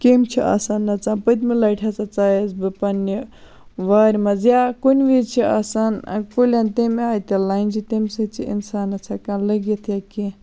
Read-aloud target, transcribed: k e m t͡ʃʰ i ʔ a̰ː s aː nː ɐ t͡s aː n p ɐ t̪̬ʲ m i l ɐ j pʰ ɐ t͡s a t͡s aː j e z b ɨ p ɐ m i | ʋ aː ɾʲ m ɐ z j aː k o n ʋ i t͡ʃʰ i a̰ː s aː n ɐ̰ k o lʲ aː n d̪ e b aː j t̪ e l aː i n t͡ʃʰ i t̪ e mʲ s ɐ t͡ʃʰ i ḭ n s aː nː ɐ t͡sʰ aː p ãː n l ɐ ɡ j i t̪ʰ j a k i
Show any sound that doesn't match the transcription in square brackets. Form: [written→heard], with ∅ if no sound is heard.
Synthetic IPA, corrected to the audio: k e m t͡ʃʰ i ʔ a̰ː s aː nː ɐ t͡s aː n p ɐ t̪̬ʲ m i l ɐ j [pʰ→ʈʰ] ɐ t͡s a t͡s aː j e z b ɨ p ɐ [m→n] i | ʋ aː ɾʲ m ɐ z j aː k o n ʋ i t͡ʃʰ i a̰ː s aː n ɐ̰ k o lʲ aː n [d̪→t̪] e [b→m] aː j t̪ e l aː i n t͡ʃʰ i t̪ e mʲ s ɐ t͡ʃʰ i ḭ n s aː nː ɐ t͡sʰ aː [p→k] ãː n l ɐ ɡ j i t̪ʰ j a k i